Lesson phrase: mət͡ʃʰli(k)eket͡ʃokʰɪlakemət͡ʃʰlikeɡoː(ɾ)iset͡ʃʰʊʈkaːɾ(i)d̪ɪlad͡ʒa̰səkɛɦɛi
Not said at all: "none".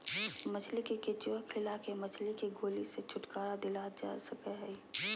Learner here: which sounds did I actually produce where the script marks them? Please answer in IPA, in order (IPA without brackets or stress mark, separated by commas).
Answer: k, l, a